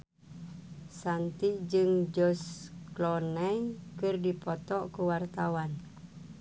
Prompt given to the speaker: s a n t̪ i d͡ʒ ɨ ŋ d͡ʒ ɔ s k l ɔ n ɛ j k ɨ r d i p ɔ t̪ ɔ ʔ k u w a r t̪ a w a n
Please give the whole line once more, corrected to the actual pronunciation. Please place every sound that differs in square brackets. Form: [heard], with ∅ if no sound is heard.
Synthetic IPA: s a n t̪ i d͡ʒ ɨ ŋ d͡ʒ ɔ s k l ɔ n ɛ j k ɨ r d i p ɔ t̪ ɔ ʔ k u w a r t̪ a w a n